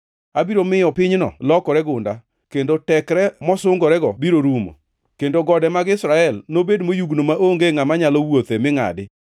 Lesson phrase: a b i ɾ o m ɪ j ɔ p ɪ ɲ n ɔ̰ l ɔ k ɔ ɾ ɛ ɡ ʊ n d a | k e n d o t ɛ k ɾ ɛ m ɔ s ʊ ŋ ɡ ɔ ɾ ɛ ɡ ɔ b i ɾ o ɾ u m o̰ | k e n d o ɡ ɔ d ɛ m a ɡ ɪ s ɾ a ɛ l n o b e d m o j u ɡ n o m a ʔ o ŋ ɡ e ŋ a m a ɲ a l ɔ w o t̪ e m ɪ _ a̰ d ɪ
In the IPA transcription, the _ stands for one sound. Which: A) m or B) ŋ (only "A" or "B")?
B